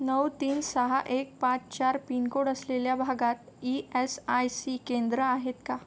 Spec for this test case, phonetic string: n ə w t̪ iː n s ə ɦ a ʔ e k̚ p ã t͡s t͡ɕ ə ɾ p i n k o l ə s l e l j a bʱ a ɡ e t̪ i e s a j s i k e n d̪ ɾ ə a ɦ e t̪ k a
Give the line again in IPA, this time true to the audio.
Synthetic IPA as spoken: n ə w t̪ iː n s ə ɦ a ʔ e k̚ p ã t͡s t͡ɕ a ɾ p i n k o ɽ ə s l e l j a bʱ a ɡ a t̪ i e s a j s i k e n d̪ ɾ ə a ɦ e t̪ k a